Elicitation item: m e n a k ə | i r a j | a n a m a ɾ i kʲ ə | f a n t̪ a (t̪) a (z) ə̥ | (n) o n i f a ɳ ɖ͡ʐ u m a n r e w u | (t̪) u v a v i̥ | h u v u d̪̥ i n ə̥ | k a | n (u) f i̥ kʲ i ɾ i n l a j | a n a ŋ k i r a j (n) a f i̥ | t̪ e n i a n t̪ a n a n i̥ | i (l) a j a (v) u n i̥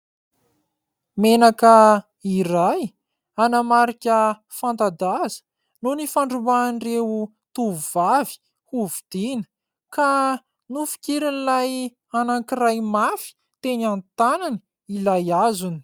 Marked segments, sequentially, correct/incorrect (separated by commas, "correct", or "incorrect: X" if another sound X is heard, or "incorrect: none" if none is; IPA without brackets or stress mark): incorrect: d̪, correct, correct, correct, correct, incorrect: m, correct, incorrect: z